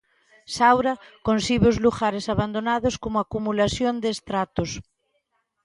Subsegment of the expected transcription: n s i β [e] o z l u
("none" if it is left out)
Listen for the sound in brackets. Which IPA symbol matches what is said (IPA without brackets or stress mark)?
e